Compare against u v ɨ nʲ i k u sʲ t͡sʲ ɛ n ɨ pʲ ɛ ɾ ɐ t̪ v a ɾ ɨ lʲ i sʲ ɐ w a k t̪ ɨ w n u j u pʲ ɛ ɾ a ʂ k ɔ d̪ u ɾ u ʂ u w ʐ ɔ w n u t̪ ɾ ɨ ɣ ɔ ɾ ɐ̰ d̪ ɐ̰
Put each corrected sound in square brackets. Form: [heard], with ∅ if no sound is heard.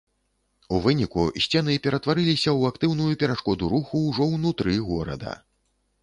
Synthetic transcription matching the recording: u v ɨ nʲ i k u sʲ t͡sʲ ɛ n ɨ pʲ ɛ ɾ ɐ t̪ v a ɾ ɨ lʲ i sʲ ɐ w a k t̪ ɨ w n u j u pʲ ɛ ɾ a ʂ k ɔ d̪ u ɾ u [x] u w ʐ ɔ w n u t̪ ɾ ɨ ɣ ɔ ɾ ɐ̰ d̪ ɐ̰